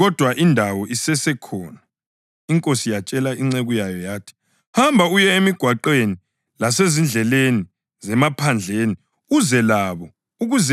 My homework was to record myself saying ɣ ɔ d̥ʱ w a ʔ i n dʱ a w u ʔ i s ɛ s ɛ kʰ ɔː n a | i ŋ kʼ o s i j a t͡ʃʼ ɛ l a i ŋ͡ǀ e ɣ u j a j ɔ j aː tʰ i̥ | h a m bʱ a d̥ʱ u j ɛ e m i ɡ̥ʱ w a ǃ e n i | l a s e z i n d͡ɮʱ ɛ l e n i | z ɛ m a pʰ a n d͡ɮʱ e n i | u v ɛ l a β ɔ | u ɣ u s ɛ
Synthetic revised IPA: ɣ ɔ d̥ʱ w a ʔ i n dʱ a w ɔ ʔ i s ɛ s ɛ kʰ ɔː n a | i ŋ kʼ o s i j a t͡ʃʼ ɛ l a i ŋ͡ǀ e ɣ u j a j ɔ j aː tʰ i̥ | h a m bʱ a u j ɛ e m i ɡ̥ʱ w a ǃ e n i | l a s e z i n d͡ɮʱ ɛ l e n i | z ɛ m a pʰ a n d͡ɮʱ e n i | u z ɛ l a β ɔ | u ɣ u z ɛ

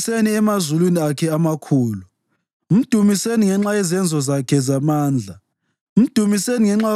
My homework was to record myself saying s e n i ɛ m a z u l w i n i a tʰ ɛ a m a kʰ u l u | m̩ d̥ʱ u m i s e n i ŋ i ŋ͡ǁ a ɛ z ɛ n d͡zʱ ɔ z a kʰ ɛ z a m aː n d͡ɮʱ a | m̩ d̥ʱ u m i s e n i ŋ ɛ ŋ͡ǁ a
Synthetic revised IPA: s e n i ɛ m a z u l w i n i a kʰ ɛ a m a kʰ uː l u | m̩ d̥ʱ u m i s e n i ŋ ɛ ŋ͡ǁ a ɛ z ɛ n d͡zʱ ɔ z a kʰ ɛ z a m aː n d͡ɮʱ a | m̩ d̥ʱ u m i s e n i ŋ ɛ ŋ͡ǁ a

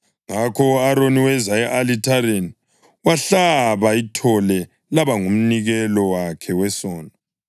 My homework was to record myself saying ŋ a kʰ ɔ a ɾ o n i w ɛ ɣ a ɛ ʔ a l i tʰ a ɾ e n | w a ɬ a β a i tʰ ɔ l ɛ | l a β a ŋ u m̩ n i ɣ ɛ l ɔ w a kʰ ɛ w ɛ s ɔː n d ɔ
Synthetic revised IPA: ŋ a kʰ ɔ a ɾ o n i w ɛ z a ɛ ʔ a l i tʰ a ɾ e n | w a ɬ a β a i tʰ ɔ l ɛ | l a β a ŋ u m̩ n i ɣ ɛ l ɔ w a kʰ ɛ w ɛ s ɔː n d ɔ

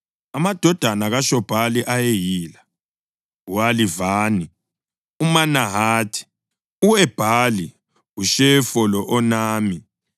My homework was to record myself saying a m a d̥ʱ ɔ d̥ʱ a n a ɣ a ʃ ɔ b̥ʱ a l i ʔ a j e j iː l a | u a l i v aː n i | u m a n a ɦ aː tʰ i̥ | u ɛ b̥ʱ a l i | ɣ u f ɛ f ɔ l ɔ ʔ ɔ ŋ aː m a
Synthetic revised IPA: a m a d̥ʱ ɔ d̥ʱ a n a ɣ a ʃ ɔ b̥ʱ a l i ʔ a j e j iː l a | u a l i v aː n i | u m a n a ɦ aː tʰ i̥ | u ɛ b̥ʱ a l i | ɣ u ʃ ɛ f ɔ l ɔ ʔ ɔ n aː m i

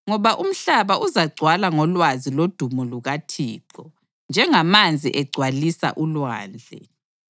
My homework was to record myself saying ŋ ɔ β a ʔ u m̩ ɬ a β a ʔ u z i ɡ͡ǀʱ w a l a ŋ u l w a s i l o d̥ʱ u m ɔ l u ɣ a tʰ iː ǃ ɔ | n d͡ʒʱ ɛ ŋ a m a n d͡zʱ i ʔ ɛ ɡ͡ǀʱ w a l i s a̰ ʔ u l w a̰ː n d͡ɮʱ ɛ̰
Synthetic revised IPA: ŋ ɔ β a ʔ u m̩ ɬ a β a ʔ u z a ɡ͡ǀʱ w a l a ŋ ɔ l w a z i l o d̥ʱ u m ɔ l u ɣ a tʰ iː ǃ ɔ | n d͡ʒʱ ɛ ŋ a m a n d͡zʱ i ʔ ɛ ɡ͡ǀʱ w a l i s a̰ ʔ u l w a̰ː n d͡ɮʱ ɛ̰

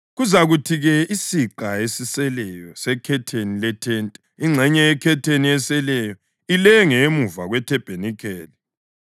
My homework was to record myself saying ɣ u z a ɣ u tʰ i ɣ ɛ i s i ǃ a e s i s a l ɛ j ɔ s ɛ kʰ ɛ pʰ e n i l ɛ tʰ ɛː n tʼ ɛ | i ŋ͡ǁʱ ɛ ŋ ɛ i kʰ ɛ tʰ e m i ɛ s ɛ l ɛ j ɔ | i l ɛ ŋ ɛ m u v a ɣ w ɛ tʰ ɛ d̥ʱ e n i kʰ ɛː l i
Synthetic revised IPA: ɣ u z a ɣ u tʰ i ɣ ɛ i s i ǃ a e s i s ɛ l ɛ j ɔ s ɛ kʰ ɛ tʰ e n i l ɛ tʰ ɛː n tʼ ɛ | i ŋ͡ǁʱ ɛ ɲ ɛ ɛ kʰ ɛ tʰ e n i ɛ s ɛ l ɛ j ɔ | i l ɛ ŋ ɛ m u v a ɣ w ɛ tʰ ɛ b̥ʱ e n i kʰ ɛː l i

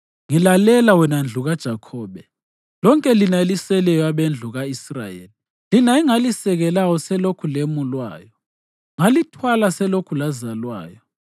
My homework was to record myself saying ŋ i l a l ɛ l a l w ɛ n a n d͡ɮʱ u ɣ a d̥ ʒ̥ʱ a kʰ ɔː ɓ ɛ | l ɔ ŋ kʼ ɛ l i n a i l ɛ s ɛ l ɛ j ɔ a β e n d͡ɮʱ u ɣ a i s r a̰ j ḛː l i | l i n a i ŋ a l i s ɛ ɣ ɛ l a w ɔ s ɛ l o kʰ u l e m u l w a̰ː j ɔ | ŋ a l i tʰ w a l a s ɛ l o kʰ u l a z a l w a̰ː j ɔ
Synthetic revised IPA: ŋ i l a l ɛ l a w ɛ n a n d͡ɮʱ u ɣ a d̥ ʒ̥ʱ a kʰ ɔː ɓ ɛ | l ɔ ŋ kʼ ɛ l i n a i l i s ɛ l ɛ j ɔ a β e n d͡ɮʱ u ɣ a i s r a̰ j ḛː l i | l i n a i ŋ a l i s ɛ ɣ ɛ l a w ɔ s ɛ l o kʰ u l e m u l w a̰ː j ɔ | ŋ a l i tʰ w a l a s ɛ l o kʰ u l a z a l w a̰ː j ɔ

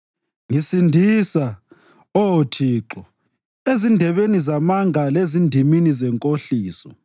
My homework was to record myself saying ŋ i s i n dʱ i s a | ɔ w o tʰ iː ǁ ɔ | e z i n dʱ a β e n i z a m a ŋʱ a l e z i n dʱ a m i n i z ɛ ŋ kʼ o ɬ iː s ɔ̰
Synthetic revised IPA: ŋ i s i n dʱ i s a | ɔ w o tʰ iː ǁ ɔ | e z i n dʱ ɛ β e n i z a m a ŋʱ a l e z i n dʱ i m i n i z ɛ ŋ kʼ o ɬ iː s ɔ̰

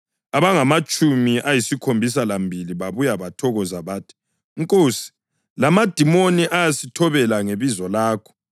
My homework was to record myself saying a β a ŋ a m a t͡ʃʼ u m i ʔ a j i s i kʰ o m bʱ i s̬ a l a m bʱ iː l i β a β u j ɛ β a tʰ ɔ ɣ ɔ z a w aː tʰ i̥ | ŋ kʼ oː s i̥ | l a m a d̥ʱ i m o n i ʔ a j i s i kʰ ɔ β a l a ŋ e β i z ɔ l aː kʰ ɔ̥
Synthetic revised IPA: a β a ŋ a m a t͡ʃʼ u m i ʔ a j i s i kʰ o m bʱ i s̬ a l a m bʱ i l i β a β u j a β a tʰ ɔ ɣ ɔ z a β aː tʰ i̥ | ŋ kʼ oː s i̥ | l a m a d̥ʱ i m o n i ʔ a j a s i tʰ ɔ β ɛ l a ŋ e β i z ɔ l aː kʰ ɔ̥

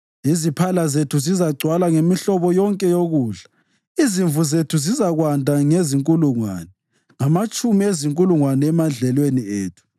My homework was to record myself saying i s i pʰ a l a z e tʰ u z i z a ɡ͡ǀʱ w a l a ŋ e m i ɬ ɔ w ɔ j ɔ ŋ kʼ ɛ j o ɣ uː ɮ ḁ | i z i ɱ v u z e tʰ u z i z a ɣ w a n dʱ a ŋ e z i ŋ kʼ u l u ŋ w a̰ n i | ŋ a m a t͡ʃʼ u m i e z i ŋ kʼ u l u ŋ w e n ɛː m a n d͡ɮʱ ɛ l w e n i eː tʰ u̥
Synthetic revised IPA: i z i pʰ a l a z e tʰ u z i z a ɡ͡ǀʱ w a l a ŋ e m i ɬ ɔ β ɔ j ɔ ŋ kʼ ɛ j o ɣ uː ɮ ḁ | i z i ɱ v u z e tʰ u z i z a ɣ w a n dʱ a ŋ e z i ŋ kʼ u l u ŋ w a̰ n ɛ | ŋ a m a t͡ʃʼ u m i e z i ŋ kʼ u l u ŋ w a n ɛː m a n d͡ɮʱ ɛ l w e n i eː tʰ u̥

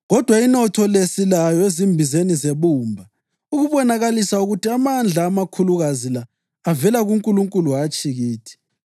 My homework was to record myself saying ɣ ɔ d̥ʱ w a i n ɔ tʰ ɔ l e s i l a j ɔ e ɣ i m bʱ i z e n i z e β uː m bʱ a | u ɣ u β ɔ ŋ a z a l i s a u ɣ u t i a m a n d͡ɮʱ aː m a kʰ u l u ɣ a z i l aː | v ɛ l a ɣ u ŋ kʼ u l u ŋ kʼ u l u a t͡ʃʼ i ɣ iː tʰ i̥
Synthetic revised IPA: ɣ ɔ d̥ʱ w a i n ɔ tʰ ɔ l e s i l a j ɔ e z i m bʱ i z e n i z e β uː m bʱ a | u ɣ u β ɔ n a ɣ a l i s a u ɣ u t i a m a n d͡ɮʱ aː m a kʰ u l u ɣ a z i l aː | v ɛ l a ɣ u ŋ kʼ u l u ŋ kʼ u l u a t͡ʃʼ i ɣ iː tʰ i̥

